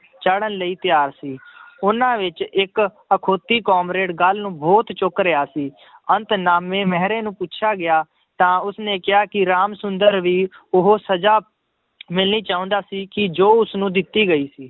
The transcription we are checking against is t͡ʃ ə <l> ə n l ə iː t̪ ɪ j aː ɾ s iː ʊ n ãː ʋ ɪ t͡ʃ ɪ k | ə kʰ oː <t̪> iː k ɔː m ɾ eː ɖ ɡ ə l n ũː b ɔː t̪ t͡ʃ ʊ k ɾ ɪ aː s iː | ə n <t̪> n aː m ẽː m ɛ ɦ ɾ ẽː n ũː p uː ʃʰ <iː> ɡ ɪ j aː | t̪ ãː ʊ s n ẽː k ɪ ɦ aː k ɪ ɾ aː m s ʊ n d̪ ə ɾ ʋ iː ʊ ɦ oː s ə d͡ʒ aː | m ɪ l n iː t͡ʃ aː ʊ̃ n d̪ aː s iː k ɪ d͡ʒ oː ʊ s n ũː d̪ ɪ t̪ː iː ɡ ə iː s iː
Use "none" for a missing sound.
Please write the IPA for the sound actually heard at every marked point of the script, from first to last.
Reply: ɽ, t̪, t̪, aː

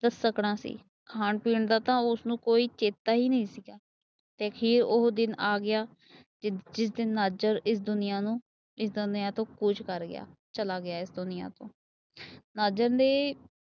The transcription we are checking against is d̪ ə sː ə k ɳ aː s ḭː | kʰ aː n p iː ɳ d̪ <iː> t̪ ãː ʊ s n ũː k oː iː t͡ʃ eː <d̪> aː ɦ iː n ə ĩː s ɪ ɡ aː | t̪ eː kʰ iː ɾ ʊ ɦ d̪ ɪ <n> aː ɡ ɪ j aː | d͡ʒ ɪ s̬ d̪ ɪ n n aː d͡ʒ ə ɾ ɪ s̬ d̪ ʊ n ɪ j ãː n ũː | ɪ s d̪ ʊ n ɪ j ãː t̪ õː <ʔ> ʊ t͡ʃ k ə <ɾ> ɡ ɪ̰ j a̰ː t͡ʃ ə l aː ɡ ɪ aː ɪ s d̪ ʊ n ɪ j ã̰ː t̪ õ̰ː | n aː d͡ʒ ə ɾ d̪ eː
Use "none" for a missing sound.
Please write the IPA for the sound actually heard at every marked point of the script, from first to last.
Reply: aː, t̪, n, k, ɾ

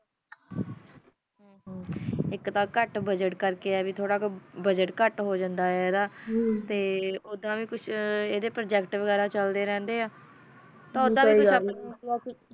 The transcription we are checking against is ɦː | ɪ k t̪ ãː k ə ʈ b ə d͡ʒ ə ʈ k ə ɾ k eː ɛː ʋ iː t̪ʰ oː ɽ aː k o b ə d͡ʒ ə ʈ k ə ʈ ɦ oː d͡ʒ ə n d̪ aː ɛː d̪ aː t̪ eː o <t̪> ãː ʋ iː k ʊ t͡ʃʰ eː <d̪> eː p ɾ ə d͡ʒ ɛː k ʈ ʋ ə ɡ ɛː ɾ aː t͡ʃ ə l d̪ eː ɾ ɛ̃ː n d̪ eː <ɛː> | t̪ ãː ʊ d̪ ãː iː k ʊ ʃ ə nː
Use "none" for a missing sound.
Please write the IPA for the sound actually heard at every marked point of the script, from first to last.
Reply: d̪, d̪, aː

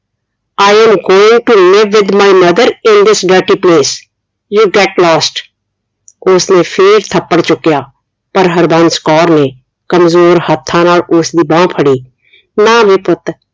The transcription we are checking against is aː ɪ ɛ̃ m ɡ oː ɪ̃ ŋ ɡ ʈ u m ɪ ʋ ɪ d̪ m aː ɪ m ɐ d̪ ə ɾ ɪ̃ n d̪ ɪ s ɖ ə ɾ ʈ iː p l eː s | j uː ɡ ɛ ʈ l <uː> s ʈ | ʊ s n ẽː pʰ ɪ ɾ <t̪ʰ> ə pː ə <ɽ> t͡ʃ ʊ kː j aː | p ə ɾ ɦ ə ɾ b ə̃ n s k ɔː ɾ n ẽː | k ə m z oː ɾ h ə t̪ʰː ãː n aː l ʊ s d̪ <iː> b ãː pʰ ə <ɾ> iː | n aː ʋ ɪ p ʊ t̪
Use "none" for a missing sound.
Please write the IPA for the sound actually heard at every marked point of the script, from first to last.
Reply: ɔː, t̪ʰ, ɽ, iː, ɽ

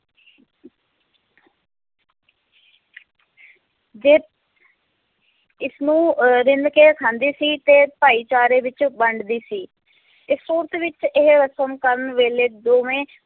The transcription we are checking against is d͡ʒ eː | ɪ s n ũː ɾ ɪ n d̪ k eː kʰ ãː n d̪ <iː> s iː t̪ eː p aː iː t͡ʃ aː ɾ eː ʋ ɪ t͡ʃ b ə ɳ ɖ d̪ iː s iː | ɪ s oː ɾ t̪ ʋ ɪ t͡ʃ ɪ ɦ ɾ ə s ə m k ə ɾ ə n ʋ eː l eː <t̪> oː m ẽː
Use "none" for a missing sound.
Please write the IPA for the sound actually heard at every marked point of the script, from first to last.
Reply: iː, d̪

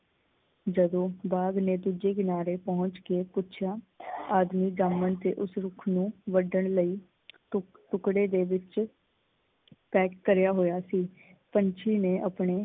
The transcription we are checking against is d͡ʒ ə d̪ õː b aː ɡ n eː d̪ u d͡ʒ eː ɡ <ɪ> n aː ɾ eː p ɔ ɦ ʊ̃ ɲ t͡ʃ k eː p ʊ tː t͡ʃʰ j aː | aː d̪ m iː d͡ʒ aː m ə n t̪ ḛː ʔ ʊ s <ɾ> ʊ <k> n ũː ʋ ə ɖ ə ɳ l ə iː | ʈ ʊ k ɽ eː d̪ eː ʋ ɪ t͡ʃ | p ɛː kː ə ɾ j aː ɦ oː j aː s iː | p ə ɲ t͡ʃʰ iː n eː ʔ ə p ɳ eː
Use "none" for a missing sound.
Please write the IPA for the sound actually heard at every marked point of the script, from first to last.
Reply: ɪ, ɾ, kʰ

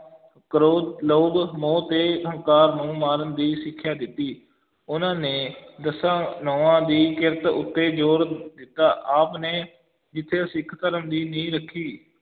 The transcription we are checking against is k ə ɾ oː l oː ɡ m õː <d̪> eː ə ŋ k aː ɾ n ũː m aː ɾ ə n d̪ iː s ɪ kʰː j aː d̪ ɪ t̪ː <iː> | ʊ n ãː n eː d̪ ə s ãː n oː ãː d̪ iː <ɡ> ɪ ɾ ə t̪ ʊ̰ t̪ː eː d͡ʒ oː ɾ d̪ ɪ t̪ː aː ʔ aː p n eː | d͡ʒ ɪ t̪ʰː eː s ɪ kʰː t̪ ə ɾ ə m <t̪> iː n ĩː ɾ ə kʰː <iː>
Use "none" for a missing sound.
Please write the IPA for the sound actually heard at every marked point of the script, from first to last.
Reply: t̪, iː, k, d̪, iː

